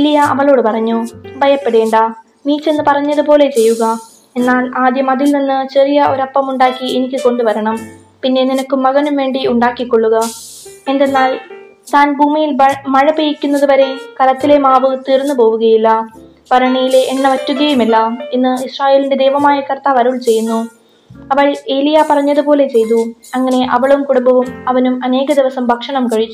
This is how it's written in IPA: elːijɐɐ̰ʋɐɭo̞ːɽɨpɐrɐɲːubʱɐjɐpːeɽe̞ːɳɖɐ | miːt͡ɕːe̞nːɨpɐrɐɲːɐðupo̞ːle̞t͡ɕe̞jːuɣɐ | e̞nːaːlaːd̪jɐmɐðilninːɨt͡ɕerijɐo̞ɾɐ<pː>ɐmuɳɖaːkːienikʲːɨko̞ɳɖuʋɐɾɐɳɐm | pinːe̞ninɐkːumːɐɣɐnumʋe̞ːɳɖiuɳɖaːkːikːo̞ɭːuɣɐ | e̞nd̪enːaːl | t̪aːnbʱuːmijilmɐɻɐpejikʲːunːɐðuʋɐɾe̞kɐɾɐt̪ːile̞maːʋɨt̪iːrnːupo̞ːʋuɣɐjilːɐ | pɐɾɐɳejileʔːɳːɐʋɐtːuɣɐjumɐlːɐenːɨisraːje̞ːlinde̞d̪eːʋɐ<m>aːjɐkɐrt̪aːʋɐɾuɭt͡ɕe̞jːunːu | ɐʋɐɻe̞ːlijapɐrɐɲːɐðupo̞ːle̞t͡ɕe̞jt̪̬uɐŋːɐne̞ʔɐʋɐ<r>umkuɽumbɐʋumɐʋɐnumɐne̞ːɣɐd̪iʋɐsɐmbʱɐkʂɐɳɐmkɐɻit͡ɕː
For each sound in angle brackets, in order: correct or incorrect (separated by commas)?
correct, correct, incorrect